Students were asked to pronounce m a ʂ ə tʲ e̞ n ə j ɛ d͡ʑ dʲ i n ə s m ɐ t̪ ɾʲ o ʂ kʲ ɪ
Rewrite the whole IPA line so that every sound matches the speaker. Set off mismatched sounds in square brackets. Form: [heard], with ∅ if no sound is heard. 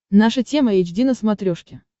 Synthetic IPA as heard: [n] a ʂ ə tʲ e̞ [m] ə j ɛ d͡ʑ dʲ i n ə s m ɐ t̪ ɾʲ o ʂ kʲ ɪ